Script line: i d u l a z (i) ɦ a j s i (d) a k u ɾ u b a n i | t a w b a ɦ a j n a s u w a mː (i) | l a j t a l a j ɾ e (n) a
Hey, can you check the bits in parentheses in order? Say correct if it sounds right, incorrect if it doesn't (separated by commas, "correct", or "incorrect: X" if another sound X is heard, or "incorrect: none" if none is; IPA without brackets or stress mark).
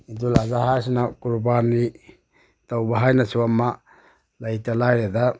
incorrect: a, incorrect: n, incorrect: a, incorrect: d